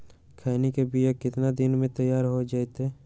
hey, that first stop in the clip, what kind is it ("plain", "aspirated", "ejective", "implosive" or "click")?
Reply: aspirated